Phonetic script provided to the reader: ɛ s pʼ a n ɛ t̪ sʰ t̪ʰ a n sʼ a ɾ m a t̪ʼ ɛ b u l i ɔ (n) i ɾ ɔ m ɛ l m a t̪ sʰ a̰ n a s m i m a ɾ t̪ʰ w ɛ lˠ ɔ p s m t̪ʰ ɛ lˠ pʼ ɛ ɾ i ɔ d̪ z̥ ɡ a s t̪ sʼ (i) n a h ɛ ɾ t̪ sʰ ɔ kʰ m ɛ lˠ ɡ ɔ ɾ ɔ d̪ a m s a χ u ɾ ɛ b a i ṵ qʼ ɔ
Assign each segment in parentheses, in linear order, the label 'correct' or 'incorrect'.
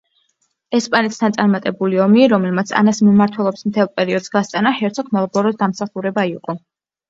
incorrect: m, incorrect: a

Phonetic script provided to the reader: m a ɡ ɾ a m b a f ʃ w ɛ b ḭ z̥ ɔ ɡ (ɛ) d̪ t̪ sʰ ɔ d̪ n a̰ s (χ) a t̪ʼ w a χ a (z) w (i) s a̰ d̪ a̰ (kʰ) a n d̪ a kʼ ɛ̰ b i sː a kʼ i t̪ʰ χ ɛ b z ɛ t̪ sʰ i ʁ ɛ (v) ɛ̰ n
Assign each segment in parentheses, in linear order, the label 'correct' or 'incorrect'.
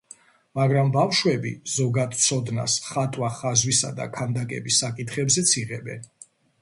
incorrect: a, correct, correct, correct, correct, incorrect: b

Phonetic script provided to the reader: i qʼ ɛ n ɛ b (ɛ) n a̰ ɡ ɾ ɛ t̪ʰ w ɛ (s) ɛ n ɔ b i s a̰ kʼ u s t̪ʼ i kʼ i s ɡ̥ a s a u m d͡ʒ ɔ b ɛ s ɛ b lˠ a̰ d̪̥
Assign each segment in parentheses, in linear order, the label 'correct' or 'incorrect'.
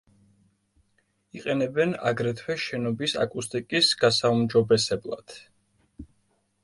correct, incorrect: ʃ

